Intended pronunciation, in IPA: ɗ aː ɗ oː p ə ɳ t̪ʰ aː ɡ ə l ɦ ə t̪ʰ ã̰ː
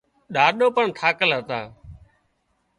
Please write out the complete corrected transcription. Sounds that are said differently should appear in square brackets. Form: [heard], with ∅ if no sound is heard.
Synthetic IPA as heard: ɗ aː ɗ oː p ə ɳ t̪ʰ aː [k] ə l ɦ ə [t̪] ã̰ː